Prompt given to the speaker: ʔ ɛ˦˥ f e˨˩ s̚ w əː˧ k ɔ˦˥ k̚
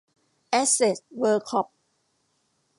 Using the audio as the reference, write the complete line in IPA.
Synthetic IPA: ʔ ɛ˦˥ s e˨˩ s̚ w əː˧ kʰ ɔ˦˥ p̚